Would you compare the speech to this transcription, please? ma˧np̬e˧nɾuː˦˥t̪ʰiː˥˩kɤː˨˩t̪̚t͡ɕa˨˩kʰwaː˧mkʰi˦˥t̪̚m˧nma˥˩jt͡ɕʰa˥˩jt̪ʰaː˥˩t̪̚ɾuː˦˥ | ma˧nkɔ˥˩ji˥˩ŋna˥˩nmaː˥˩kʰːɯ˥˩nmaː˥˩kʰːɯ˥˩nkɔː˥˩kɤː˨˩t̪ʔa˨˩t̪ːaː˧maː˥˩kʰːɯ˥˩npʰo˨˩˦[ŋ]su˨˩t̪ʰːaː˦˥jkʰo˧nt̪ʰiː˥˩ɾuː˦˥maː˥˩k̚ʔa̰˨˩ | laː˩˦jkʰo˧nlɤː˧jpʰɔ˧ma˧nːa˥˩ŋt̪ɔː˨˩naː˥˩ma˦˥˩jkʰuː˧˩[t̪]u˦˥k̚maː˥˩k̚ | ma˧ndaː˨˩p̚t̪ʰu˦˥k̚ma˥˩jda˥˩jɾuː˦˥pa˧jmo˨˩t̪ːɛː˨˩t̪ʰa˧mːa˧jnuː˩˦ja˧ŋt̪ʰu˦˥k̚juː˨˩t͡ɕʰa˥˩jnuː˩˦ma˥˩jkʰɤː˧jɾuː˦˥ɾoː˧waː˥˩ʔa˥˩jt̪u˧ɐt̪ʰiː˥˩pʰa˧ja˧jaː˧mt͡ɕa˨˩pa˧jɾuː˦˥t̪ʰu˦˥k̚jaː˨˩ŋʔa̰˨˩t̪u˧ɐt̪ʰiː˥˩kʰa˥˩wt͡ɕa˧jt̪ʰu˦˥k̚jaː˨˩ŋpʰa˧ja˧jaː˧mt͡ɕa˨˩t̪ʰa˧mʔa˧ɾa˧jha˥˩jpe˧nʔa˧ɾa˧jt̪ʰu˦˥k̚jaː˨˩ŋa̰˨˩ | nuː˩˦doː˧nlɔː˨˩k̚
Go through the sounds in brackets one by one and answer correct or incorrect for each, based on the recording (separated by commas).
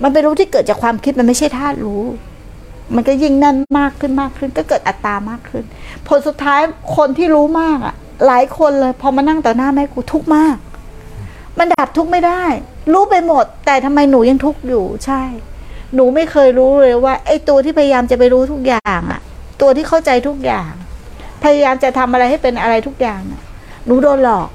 incorrect, incorrect